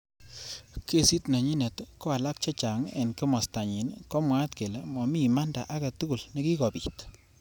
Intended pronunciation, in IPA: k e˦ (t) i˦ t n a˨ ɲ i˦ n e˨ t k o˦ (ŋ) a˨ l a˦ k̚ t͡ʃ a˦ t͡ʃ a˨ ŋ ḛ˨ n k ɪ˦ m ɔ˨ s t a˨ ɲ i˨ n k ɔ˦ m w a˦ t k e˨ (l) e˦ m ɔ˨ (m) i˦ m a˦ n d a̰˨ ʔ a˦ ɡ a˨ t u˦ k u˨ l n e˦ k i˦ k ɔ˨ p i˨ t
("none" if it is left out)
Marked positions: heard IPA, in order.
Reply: s, none, l, m

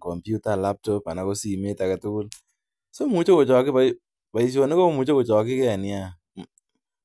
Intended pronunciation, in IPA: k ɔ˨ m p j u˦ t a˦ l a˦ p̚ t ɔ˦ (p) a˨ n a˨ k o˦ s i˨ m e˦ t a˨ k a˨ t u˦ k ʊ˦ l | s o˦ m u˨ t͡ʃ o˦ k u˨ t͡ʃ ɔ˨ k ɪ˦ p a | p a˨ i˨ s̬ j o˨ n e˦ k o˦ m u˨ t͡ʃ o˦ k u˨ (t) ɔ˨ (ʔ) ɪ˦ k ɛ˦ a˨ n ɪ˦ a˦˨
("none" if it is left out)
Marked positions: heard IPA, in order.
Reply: p, t͡ʃ, k

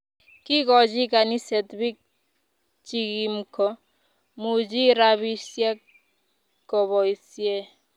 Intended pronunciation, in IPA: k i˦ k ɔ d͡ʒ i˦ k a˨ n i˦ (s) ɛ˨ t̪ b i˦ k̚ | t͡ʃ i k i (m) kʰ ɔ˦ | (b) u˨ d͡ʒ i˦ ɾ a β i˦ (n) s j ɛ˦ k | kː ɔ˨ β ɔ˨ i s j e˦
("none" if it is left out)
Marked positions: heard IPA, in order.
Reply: s, m, m, none

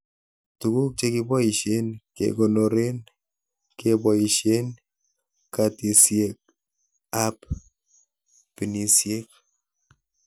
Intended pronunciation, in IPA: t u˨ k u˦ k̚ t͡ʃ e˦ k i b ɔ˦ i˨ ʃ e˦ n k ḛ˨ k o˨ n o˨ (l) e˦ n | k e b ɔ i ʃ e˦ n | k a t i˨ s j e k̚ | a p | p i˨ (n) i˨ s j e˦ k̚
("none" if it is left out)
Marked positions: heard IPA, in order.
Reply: ɾ, n

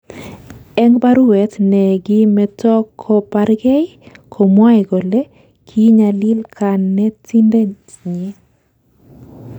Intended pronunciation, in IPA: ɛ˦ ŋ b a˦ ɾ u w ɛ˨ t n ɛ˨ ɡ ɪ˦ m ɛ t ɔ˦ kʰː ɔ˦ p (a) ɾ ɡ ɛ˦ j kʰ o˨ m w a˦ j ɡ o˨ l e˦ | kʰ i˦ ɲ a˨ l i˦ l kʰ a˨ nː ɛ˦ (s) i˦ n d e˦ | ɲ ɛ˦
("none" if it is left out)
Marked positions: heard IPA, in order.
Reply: a, t

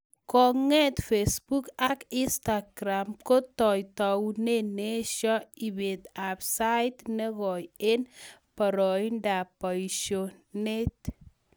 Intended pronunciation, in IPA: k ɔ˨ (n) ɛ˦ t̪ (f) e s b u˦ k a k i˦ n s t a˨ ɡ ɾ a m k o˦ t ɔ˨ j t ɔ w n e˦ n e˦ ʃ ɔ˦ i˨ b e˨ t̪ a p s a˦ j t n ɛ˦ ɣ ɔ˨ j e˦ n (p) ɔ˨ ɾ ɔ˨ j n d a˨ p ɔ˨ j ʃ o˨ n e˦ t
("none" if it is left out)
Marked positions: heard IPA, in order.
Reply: ŋ, f, p

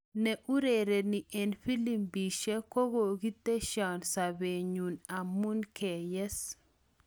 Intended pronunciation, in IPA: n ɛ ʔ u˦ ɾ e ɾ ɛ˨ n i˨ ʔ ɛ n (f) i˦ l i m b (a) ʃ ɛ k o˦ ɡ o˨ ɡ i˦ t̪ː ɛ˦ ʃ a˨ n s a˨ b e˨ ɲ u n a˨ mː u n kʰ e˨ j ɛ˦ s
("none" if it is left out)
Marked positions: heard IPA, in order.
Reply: f, i

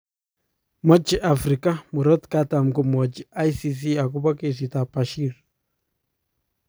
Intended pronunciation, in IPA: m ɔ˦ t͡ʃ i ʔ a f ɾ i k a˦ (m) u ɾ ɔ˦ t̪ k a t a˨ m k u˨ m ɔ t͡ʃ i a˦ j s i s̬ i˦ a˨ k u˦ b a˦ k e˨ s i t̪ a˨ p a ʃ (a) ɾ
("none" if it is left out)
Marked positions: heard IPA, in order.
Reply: m, i

